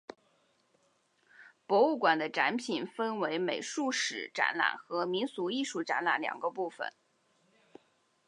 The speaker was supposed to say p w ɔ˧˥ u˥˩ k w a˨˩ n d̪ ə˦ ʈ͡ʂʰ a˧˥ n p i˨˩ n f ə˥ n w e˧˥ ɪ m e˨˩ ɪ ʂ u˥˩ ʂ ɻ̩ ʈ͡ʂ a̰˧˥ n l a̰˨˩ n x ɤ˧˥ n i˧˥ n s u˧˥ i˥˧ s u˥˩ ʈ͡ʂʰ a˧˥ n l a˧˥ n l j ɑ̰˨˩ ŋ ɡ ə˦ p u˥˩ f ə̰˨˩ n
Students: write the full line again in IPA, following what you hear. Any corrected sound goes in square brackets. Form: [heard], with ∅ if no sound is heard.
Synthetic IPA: p w ɔ˧˥ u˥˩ k w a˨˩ n d̪ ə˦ [ʈ͡ʂ] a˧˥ n [pʰ] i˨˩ n f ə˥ n w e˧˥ ɪ m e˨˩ ɪ ʂ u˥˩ ʂ ɻ̩ ʈ͡ʂ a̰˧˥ n l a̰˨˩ n x ɤ˧˥ [m] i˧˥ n s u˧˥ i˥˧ [ʂ] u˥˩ [ʈ͡ʂ] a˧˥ n l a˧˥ n l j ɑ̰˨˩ ŋ ɡ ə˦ p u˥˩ f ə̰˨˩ n